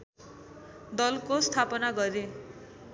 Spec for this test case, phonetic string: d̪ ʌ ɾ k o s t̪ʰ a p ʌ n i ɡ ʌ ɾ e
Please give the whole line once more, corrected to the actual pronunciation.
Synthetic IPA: d̪ ʌ l k o s t̪ʰ a p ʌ n a ɡ ʌ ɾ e